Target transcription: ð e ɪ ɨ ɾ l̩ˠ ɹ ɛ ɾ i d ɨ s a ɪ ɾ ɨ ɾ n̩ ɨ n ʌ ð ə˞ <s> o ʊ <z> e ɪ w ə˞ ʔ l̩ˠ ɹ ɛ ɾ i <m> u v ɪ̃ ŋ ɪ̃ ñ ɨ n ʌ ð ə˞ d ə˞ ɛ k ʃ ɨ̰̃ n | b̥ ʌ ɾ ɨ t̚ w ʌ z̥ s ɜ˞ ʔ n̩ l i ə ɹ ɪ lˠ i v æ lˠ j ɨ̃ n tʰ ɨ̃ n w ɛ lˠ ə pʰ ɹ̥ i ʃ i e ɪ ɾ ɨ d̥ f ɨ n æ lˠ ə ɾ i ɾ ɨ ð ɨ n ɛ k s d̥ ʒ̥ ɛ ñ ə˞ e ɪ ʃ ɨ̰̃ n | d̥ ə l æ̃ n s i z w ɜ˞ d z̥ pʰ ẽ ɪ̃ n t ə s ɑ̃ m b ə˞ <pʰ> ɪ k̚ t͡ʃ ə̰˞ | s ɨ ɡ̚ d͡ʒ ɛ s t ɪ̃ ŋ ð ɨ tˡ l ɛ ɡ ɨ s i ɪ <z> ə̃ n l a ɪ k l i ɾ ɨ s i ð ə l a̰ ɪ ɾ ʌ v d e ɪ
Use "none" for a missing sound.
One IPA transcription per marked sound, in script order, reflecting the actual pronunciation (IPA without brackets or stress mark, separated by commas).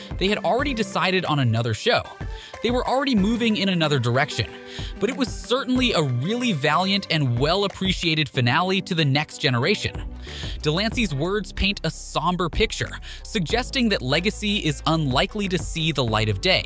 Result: ʃ, ð, m, pʰ, z